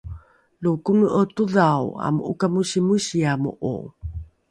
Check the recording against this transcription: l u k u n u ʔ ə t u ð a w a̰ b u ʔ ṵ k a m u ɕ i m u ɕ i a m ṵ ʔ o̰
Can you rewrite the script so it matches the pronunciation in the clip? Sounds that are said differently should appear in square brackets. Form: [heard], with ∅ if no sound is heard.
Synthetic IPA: l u k u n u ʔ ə t u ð a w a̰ [m] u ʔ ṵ k a m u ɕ i m u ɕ i a m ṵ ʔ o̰